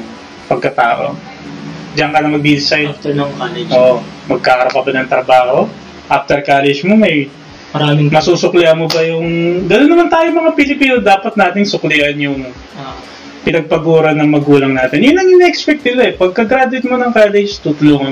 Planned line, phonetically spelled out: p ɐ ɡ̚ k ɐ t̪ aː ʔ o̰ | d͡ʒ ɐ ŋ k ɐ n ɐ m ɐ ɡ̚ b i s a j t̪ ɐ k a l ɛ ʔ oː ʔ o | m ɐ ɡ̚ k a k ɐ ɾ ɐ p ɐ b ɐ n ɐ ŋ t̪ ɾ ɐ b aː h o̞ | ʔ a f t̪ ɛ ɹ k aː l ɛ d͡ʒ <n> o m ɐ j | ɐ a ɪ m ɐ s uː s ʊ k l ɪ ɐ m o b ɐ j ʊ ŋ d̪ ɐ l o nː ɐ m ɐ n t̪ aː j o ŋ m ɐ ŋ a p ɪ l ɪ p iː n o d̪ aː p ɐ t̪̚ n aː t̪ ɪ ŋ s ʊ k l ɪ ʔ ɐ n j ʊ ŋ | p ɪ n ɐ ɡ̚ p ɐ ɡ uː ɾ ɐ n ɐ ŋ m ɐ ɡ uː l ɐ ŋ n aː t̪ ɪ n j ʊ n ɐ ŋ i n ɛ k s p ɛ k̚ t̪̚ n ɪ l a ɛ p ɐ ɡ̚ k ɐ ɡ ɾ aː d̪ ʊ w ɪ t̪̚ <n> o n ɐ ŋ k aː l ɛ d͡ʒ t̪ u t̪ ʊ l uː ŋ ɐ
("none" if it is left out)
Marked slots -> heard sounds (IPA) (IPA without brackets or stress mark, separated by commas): m, m